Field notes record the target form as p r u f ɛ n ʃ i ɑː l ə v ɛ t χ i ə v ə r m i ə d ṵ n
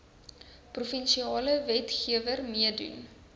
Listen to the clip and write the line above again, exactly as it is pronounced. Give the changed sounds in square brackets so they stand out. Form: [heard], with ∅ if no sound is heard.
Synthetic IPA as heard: p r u f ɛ n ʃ i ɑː l ə v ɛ t χ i ə v ə r m i ə d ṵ n